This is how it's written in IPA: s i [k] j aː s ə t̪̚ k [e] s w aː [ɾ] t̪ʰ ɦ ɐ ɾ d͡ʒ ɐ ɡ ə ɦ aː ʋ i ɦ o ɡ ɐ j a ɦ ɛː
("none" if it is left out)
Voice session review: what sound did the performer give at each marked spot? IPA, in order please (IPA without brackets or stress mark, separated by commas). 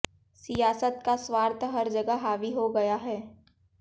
none, a, ɾ